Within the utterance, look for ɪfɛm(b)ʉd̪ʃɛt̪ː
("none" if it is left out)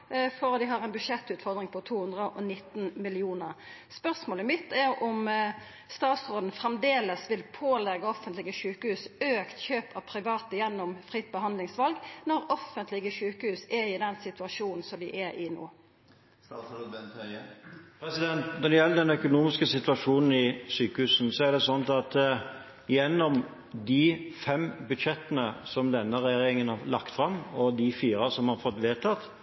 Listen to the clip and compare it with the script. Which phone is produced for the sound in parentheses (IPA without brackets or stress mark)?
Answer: b